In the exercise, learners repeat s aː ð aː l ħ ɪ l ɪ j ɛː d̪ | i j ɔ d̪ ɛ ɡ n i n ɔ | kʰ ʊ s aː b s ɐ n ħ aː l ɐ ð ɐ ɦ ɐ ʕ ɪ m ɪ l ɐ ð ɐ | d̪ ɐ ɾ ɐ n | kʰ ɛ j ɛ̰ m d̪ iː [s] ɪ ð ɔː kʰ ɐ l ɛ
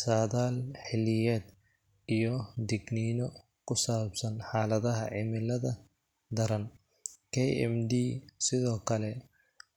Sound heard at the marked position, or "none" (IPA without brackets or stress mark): s